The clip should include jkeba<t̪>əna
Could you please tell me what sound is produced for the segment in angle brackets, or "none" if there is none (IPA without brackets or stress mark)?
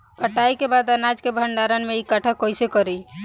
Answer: d̪